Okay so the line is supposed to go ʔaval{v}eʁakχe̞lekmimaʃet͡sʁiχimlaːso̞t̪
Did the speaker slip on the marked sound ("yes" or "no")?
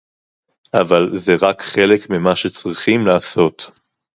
yes